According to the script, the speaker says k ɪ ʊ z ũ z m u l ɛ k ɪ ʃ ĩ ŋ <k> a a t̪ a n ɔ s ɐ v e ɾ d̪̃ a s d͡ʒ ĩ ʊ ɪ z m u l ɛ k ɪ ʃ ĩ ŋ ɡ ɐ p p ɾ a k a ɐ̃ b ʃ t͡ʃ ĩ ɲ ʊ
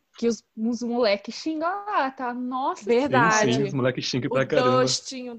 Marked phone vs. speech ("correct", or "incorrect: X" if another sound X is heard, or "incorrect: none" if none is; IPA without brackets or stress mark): incorrect: ɡ